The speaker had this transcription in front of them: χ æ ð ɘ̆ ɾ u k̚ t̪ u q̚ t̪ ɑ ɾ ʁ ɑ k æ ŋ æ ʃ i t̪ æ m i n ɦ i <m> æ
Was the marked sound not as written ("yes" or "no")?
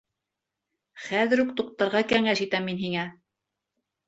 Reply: yes